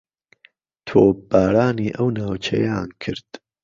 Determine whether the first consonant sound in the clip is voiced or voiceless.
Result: voiceless